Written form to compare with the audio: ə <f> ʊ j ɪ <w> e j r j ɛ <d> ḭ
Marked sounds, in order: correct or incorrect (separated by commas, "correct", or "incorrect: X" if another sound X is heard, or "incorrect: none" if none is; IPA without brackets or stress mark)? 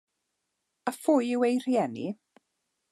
correct, correct, incorrect: n